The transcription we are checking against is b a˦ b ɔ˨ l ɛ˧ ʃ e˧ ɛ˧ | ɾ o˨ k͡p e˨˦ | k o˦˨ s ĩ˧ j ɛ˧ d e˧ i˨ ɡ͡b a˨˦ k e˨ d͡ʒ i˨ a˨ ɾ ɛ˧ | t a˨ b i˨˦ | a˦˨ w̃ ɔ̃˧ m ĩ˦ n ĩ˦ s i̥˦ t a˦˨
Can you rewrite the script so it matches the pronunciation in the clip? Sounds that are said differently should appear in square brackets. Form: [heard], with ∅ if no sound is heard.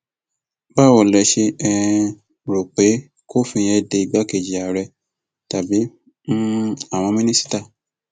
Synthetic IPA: b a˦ [w] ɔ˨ l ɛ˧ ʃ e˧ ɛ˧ | ɾ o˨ k͡p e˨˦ | k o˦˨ [f] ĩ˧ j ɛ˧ d e˧ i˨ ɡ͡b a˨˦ k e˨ d͡ʒ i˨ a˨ ɾ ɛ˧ | t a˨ b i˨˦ | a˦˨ w̃ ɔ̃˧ m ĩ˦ n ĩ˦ s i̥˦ t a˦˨